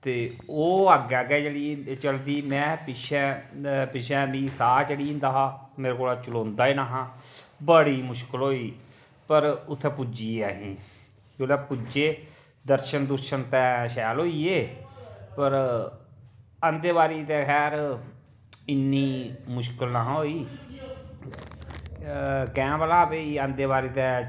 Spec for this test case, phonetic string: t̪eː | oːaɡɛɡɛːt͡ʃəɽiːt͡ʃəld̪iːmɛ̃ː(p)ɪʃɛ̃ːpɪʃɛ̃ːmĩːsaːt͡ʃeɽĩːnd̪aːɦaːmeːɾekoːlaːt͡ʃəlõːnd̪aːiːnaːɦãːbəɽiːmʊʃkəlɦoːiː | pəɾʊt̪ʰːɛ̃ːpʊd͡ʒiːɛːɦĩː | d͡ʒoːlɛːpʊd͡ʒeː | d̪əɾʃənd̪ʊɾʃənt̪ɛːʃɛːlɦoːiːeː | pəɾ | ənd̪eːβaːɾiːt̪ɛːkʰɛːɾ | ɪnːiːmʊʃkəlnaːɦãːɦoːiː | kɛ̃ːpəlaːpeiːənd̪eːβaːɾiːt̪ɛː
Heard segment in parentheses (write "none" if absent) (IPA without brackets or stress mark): p